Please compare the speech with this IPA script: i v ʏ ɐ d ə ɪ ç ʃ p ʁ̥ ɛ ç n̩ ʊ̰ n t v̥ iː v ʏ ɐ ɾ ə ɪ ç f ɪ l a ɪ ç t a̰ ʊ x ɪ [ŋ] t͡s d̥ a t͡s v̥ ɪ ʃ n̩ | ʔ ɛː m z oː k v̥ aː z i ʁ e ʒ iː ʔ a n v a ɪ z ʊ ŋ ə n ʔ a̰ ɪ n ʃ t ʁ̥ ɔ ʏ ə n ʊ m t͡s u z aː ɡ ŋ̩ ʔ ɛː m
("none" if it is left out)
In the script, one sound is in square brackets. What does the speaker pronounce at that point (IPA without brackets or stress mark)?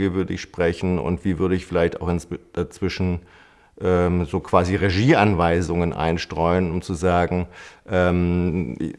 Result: n